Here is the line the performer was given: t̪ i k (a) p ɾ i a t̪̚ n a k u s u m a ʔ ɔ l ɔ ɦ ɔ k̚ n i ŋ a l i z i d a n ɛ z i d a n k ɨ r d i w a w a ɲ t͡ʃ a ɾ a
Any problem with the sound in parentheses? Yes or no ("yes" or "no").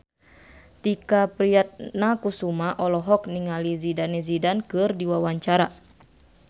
no